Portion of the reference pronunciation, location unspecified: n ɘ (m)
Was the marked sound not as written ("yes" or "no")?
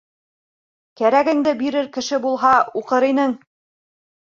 yes